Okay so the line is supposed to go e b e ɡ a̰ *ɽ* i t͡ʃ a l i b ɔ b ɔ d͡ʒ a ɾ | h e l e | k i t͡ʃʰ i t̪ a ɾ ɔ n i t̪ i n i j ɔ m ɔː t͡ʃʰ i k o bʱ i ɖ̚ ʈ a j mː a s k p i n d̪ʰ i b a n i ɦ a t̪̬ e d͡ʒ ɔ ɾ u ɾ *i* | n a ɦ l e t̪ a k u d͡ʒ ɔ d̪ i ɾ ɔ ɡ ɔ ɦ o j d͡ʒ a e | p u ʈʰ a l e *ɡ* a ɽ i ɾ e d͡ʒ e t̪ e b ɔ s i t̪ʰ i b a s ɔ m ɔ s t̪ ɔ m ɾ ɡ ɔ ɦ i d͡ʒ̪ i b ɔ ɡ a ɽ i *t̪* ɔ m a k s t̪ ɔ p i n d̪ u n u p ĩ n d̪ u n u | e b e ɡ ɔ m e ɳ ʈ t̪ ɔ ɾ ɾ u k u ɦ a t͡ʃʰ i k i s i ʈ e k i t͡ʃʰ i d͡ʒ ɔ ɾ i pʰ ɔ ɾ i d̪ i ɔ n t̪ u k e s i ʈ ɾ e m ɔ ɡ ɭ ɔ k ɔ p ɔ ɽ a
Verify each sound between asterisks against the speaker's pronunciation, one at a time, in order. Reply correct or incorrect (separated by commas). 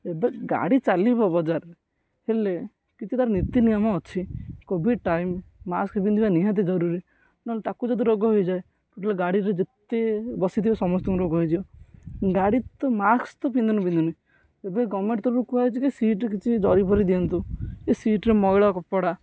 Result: correct, correct, correct, correct